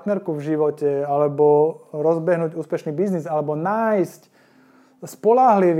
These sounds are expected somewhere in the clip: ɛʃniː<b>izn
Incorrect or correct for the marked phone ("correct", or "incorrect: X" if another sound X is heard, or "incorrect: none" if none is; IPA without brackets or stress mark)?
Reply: correct